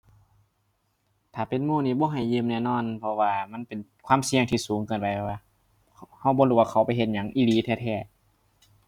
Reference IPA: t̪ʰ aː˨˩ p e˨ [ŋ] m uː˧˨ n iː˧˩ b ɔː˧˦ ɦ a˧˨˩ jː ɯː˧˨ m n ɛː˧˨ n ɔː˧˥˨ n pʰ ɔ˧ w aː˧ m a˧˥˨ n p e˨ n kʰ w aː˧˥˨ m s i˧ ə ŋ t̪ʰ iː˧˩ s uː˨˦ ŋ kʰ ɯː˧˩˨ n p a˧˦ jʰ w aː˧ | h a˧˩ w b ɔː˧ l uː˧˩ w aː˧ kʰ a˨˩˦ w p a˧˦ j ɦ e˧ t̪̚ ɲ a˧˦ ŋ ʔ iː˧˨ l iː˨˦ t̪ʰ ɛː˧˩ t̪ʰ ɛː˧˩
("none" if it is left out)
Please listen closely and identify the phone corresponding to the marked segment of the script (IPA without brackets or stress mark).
n